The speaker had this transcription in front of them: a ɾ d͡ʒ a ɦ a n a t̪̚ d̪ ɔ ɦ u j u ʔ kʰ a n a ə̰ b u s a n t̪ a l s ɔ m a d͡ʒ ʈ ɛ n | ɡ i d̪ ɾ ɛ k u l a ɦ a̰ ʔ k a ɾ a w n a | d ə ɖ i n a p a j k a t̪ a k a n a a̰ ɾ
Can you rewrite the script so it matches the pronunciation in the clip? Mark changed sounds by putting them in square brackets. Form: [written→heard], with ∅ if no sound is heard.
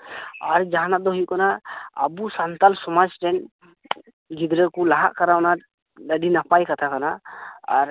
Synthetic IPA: a ɾ d͡ʒ a ɦ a n a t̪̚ d̪ ɔ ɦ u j u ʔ [kʰ→k] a n a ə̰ b u s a n t̪ a l s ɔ m a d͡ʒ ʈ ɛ n | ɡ i d̪ ɾ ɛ k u l a ɦ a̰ ʔ k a ɾ a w n a | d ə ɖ i n a p a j k a [t̪→t̪ʰ] a k a n a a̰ ɾ